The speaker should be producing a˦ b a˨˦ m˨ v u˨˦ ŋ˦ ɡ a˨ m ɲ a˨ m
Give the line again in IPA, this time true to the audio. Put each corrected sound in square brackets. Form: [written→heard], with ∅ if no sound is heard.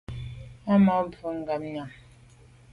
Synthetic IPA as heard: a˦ [b→m] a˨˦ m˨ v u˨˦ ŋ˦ ɡ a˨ m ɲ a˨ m